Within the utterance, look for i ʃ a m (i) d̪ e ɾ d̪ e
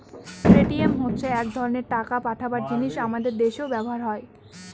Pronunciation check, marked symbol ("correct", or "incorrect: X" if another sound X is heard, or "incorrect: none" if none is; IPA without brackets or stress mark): incorrect: a